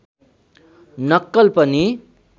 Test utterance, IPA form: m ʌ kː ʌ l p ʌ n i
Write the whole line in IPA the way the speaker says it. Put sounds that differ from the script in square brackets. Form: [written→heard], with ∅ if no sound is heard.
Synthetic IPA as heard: [m→n] ʌ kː ʌ l p ʌ n i